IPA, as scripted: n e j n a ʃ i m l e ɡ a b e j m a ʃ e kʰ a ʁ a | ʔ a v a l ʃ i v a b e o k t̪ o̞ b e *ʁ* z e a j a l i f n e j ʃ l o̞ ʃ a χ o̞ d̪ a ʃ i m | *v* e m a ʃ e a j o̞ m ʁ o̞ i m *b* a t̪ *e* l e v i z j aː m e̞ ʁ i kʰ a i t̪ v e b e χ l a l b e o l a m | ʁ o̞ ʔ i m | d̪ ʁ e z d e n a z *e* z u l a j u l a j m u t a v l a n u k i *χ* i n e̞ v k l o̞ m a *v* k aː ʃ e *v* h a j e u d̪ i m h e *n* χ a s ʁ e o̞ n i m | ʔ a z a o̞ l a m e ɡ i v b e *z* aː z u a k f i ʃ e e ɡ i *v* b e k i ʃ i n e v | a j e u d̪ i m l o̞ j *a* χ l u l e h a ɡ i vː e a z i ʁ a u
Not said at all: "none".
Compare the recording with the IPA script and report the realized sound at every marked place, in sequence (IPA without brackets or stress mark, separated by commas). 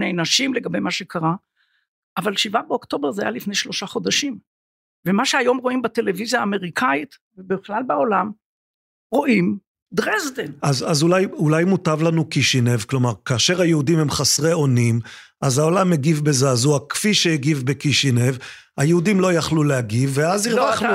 ʁ, v, b, e, a, ʃ, ʁ, ʁ, m, z, v, a